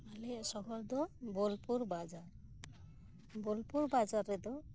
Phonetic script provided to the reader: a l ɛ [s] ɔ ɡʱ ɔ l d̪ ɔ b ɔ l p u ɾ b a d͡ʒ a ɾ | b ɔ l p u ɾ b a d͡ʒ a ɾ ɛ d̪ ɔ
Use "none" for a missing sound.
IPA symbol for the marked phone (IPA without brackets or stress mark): s